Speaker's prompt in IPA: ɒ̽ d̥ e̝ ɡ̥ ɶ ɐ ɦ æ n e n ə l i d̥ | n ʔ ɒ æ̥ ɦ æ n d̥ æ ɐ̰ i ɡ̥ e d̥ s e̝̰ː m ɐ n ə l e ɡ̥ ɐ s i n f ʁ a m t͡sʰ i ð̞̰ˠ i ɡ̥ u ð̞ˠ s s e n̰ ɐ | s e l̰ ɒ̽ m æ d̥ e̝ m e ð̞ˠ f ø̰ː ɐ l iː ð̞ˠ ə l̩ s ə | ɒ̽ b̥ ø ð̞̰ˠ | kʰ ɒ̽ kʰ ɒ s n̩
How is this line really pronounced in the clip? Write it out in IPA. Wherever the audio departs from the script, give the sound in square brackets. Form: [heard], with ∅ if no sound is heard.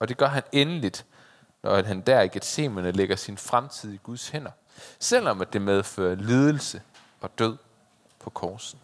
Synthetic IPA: ɒ̽ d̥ e̝ ɡ̥ ɶ ɐ ɦ æ n e n ə l i d̥ | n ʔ ɒ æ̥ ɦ æ n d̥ æ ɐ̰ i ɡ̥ e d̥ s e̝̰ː m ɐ n ə l e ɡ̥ ɐ s i n f ʁ a m t͡sʰ i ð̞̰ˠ i ɡ̥ u ð̞ˠ s [h] e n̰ ɐ | s e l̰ ɒ̽ m æ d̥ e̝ m e ð̞ˠ f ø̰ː ɐ l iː ð̞ˠ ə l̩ s ə | ɒ̽ [d̥] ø ð̞̰ˠ | [pʰ] ɒ̽ kʰ [ɒː] s n̩